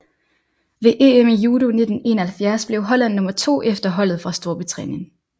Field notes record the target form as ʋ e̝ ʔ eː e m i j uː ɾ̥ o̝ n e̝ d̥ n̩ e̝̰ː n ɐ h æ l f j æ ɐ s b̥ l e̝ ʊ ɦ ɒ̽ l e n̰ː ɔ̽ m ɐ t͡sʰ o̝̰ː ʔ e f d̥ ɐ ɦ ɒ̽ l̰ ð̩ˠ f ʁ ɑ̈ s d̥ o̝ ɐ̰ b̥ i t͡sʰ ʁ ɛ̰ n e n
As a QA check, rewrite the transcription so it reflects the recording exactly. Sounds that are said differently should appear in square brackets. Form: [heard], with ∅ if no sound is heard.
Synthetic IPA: ʋ e̝ ʔ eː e m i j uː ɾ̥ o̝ n e̝ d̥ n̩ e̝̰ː n ɐ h æ l f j æ ɐ s b̥ l e̝ ʊ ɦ ɒ̽ l [æ] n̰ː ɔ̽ m ɐ t͡sʰ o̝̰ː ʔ e f d̥ ɐ ɦ ɒ̽ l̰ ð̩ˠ f ʁ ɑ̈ s d̥ o̝ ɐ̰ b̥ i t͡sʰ ʁ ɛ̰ n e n